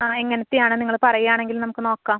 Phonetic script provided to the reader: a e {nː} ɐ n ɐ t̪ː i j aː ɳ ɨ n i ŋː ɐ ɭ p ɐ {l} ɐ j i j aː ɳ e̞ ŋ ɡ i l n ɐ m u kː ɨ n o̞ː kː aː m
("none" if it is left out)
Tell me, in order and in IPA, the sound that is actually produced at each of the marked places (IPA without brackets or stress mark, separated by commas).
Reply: ŋː, r